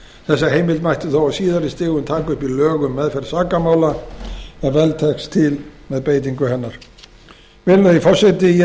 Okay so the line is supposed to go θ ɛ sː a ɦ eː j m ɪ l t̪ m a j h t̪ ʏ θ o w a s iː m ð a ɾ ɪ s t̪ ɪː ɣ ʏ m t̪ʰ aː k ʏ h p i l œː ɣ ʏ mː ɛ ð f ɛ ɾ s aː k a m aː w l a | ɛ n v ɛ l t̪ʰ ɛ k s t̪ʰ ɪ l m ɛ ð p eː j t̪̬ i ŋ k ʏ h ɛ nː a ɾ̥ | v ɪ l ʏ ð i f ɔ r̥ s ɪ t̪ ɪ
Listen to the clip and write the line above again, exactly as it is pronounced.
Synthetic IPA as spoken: θ ɛ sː a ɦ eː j m ɪ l t̪ m a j h t̪ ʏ θ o w a s iː ð a ɾ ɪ s t̪ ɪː ɣ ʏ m t̪ʰ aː k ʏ h p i l œː ɣ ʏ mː ɛ ð f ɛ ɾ s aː k a m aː w l a | ɛ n v ɛ l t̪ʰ ɛ k s t̪ʰ ɪ l m ɛ ð p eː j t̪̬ i ŋ k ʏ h ɛ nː a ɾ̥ | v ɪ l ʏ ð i f ɔ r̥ s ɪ t̪ ɪ